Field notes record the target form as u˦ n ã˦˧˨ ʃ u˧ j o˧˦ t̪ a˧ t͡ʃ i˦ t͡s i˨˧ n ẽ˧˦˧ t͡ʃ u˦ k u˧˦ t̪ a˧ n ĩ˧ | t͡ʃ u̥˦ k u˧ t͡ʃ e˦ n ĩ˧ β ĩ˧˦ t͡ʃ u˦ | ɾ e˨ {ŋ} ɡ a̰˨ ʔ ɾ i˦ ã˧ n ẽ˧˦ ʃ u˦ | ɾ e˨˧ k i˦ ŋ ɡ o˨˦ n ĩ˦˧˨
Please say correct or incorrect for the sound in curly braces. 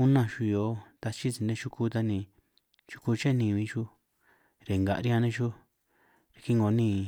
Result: correct